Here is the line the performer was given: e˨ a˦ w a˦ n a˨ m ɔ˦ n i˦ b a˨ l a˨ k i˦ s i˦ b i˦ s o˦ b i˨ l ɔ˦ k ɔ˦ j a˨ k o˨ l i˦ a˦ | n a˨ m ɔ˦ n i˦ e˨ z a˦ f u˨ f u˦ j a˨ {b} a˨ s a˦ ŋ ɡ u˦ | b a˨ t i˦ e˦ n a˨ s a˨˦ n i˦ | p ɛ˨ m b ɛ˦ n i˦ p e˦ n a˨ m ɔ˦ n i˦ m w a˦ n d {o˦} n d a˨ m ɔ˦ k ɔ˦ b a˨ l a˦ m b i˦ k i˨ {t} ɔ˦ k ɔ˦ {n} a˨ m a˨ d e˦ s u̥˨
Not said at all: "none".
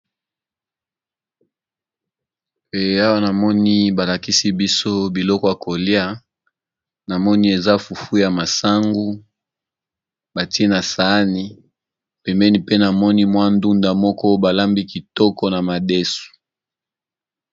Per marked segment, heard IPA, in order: m, u˦, t, n

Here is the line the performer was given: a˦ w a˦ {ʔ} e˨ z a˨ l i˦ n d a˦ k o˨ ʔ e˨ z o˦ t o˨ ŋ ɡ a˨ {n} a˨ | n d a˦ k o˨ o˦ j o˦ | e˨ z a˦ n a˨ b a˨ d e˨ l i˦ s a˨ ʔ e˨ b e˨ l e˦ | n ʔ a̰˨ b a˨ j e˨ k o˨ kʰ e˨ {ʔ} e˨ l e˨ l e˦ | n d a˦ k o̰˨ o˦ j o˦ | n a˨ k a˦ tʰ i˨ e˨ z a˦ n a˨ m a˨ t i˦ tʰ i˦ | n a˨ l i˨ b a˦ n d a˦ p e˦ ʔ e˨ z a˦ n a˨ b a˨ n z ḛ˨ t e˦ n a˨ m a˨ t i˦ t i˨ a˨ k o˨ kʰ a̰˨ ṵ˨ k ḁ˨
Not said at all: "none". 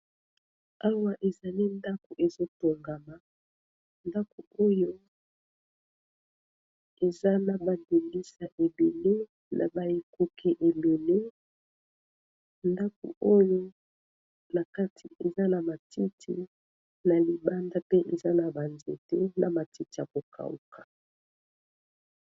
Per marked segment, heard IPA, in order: ʔ, m, ʔ

